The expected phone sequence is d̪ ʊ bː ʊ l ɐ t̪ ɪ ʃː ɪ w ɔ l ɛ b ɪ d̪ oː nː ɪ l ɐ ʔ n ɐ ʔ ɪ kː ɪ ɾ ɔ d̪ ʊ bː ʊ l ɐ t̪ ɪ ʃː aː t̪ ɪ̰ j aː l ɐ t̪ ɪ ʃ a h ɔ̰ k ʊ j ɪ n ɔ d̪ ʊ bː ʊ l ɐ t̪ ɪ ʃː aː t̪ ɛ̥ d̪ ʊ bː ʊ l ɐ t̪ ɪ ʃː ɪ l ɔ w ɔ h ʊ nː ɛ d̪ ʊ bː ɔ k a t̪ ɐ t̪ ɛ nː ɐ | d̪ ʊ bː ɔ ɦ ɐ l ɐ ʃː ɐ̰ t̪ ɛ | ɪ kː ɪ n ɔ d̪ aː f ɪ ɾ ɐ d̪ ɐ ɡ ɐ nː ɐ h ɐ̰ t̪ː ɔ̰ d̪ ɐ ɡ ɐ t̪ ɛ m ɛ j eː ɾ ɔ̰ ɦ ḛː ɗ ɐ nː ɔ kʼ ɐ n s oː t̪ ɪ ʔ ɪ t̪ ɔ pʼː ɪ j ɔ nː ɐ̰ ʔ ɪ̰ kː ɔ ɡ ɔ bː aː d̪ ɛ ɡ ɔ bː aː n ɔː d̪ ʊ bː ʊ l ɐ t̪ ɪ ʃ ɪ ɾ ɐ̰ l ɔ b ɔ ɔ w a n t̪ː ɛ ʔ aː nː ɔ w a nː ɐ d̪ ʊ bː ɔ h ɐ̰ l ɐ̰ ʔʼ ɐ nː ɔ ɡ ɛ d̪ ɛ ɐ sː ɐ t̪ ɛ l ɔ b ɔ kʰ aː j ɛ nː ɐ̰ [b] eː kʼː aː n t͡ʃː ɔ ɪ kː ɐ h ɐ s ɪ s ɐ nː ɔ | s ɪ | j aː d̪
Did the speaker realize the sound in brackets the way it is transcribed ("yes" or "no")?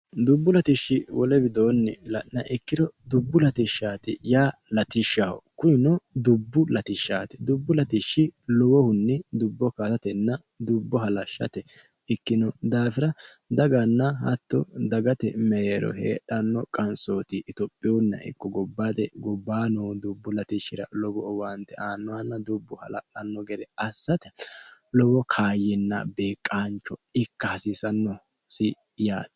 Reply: yes